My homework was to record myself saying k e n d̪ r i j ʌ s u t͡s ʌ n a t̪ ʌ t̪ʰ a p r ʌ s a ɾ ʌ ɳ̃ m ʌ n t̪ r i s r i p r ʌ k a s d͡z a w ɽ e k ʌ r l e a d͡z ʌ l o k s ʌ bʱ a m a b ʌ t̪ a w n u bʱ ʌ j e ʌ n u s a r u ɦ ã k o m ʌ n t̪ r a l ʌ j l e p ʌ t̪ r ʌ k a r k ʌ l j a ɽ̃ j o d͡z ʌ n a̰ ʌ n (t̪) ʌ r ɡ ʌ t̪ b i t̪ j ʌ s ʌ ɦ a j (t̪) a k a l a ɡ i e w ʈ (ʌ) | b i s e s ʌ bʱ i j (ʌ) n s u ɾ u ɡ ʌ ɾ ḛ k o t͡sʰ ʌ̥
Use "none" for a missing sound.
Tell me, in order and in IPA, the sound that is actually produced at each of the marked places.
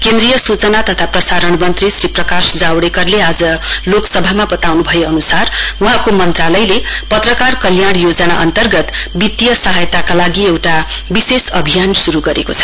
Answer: t̪, t̪, a, a

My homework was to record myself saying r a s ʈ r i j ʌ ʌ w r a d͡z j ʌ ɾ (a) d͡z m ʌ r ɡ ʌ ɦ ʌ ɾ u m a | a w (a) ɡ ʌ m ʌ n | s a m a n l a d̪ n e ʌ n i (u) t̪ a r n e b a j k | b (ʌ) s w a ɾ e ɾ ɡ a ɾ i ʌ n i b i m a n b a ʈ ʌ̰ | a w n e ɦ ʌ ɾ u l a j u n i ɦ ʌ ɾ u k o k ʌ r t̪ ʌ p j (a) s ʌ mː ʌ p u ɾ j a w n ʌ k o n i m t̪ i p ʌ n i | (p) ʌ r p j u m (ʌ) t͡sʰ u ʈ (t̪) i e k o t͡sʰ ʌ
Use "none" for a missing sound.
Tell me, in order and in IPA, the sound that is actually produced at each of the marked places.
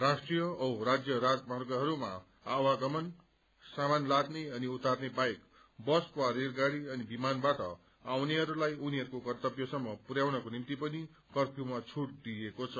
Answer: a, a, u, ʌ, ʌ, k, a, d̪

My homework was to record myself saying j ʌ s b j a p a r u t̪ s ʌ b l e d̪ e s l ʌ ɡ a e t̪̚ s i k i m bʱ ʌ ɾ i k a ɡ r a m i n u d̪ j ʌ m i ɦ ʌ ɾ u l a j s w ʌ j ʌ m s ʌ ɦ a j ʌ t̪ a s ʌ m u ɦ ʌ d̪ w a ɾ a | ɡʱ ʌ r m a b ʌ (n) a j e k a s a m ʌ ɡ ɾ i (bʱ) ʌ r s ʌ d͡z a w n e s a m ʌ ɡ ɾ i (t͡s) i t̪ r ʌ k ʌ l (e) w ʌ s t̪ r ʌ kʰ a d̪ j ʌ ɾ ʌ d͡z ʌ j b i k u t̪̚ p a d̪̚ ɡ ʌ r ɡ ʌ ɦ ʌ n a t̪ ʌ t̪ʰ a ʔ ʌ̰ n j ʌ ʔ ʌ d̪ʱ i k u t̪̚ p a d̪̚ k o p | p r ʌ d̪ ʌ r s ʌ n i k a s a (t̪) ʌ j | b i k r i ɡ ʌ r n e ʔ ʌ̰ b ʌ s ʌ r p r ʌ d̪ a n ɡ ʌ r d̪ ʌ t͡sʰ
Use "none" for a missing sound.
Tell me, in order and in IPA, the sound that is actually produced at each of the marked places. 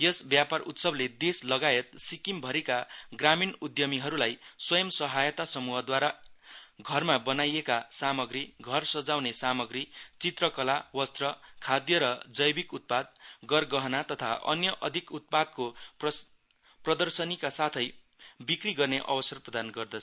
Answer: n, ɡʱ, t͡s, a, t̪ʰ

